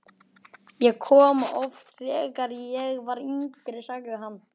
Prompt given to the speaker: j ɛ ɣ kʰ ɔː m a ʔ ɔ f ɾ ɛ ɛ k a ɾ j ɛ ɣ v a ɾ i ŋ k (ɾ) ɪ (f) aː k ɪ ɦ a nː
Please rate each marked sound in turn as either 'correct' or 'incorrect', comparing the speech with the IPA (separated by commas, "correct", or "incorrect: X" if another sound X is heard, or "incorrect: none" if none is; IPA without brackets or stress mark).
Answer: correct, incorrect: s